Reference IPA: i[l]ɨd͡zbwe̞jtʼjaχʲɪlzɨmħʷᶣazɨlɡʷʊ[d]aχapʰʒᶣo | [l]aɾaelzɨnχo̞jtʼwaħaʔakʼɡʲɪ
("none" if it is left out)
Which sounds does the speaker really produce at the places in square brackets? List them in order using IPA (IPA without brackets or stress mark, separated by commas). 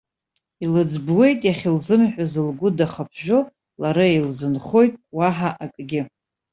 l, d, l